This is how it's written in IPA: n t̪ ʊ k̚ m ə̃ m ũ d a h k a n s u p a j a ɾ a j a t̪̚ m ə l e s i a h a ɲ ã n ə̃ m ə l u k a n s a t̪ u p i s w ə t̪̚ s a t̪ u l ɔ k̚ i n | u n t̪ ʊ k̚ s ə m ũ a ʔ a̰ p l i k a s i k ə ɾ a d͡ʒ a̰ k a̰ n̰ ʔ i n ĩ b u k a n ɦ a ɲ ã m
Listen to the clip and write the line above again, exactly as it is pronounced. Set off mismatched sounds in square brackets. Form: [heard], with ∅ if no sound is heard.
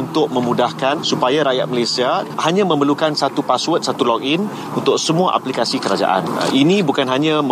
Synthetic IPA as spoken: n t̪ ʊ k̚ m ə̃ m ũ d a h k a n s u p a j a ɾ a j a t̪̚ m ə l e s i a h a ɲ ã [m] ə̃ m ə l u k a n s a t̪ u p [a] s w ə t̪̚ s a t̪ u l ɔ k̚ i n | u n t̪ ʊ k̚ s ə m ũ a ʔ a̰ p l i k a s i k ə ɾ a d͡ʒ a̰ [ʔ] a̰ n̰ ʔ i n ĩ b u k a n ɦ a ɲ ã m